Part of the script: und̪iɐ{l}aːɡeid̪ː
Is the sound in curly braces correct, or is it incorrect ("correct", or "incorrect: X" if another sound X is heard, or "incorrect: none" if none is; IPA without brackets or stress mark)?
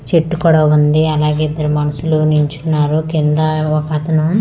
correct